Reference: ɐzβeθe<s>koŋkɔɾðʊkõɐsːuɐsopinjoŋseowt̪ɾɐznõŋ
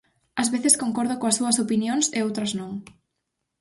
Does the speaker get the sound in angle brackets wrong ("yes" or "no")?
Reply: no